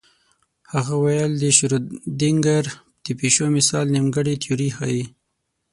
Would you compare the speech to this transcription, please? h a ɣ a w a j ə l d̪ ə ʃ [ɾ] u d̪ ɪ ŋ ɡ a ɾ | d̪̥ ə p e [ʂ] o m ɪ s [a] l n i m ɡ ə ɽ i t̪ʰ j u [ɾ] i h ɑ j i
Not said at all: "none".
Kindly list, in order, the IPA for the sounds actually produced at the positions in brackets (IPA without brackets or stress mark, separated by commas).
ɾ, ʃ, ɑ, ɾ